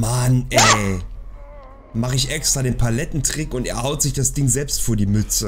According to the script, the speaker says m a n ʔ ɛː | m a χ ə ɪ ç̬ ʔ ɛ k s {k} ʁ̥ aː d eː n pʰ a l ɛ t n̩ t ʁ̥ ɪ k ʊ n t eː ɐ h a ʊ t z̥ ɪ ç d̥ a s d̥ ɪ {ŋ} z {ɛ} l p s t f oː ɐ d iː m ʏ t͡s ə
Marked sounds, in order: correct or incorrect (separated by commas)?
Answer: incorrect, correct, correct